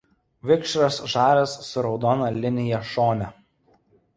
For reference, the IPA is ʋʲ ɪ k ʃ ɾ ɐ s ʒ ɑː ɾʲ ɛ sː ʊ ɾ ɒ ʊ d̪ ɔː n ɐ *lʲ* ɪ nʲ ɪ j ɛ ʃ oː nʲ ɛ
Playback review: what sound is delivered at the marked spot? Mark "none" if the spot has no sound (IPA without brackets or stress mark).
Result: lʲ